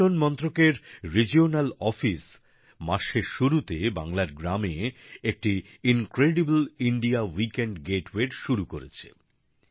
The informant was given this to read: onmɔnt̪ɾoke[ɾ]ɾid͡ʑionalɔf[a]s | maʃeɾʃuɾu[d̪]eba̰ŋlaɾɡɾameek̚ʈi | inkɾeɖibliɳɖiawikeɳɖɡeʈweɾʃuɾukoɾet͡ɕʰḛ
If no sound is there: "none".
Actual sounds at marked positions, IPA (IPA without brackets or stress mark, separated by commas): ɾ, i, t̪